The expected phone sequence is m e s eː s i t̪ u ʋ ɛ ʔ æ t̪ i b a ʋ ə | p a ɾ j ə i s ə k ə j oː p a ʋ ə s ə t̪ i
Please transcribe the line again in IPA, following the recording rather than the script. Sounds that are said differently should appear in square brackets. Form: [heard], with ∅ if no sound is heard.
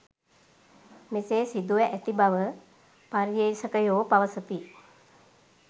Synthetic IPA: m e s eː s i [d̪] u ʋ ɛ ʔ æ t̪ i b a ʋ ə | p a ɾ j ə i s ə k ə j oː p a ʋ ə s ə t̪ i